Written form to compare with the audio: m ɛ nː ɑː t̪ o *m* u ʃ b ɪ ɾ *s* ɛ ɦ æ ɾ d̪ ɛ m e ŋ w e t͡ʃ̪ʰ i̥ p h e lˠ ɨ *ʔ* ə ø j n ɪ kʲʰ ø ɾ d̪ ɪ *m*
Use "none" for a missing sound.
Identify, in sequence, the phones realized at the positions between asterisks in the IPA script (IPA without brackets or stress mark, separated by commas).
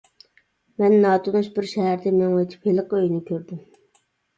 n, ʃ, q, m